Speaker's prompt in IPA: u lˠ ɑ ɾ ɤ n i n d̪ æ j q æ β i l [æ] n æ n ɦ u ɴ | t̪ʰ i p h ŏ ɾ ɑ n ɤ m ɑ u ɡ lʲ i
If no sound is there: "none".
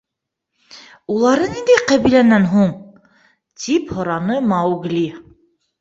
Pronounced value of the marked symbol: æ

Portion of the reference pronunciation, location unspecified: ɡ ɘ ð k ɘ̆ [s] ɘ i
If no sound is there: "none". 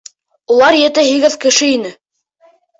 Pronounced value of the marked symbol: ʃ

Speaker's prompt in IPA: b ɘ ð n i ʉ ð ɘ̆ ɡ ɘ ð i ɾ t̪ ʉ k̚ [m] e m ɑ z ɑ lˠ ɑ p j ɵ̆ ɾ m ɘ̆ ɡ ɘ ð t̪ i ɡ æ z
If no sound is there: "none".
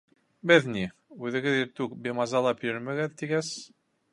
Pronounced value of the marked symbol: b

